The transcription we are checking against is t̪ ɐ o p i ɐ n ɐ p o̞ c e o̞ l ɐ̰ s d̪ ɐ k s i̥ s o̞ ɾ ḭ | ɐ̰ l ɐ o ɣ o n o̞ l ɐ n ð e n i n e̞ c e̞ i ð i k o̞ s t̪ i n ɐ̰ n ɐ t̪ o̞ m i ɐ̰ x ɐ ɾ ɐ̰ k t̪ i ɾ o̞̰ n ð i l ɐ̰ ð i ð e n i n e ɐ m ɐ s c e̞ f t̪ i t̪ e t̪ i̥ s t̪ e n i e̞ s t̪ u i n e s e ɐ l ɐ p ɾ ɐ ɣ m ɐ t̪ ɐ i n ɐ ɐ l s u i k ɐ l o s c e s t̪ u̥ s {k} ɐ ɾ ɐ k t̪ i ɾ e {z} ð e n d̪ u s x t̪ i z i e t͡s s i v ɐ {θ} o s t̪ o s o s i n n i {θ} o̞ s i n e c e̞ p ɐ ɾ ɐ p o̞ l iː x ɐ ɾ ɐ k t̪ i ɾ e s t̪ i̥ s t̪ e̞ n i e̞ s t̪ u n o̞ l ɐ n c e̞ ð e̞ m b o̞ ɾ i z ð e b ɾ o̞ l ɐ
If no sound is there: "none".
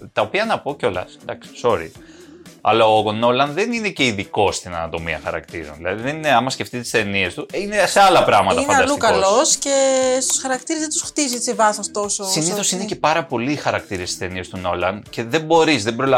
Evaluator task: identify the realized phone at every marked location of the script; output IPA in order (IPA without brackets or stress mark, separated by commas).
x, z, θ, θ